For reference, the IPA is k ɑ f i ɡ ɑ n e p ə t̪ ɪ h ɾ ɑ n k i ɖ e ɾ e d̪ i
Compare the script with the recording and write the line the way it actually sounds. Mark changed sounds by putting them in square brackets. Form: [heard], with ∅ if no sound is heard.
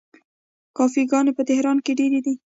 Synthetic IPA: k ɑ f i ɡ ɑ n e p ə t̪ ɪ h ɾ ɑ n k [e] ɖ e ɾ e d̪ i